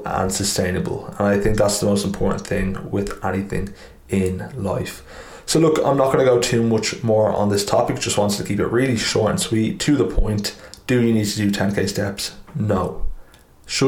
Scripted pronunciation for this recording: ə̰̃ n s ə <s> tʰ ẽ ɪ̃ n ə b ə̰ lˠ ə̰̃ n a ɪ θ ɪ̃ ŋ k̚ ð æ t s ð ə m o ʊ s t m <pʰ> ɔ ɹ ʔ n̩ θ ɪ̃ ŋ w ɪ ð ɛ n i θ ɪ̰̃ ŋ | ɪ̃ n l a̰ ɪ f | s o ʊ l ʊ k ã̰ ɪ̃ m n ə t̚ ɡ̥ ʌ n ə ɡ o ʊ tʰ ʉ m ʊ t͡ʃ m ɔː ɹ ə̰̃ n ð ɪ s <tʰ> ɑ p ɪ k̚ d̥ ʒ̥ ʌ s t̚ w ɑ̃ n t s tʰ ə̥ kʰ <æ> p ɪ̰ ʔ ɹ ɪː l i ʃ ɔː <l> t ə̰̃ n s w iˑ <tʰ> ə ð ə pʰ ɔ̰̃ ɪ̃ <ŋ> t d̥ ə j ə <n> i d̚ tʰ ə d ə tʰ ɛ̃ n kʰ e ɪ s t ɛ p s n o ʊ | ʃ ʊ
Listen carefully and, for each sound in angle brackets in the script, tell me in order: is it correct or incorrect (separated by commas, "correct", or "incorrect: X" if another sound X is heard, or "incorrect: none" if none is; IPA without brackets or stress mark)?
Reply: correct, correct, correct, incorrect: i, incorrect: ɹ, correct, incorrect: n, correct